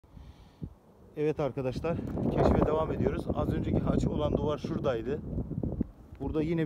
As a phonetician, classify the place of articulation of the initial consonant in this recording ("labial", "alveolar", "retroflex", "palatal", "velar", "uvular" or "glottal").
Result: labial